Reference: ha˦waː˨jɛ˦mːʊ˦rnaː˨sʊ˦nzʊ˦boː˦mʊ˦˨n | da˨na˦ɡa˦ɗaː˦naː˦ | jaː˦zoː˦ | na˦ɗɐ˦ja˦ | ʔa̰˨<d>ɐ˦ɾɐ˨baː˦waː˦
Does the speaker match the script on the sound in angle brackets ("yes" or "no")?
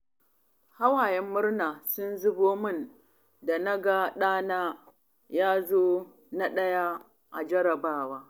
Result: no